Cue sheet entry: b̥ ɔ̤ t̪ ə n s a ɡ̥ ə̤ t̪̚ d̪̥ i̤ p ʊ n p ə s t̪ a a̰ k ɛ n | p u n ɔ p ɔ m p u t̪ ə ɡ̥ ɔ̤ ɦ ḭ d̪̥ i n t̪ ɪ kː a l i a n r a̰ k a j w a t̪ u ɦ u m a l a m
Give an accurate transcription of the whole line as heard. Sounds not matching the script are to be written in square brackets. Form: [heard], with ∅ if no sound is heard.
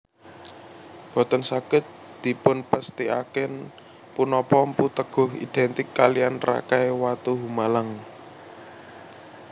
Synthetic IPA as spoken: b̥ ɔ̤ t̪ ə n s a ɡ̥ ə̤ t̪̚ d̪̥ i̤ p ʊ n p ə s t̪ [i] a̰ k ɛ n | p u n ɔ p ɔ m p u t̪ ə ɡ̥ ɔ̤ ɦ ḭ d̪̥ [ɛ] n t̪ ɪ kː a l i a n r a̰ k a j w a t̪ u ɦ u m a l a [ŋ]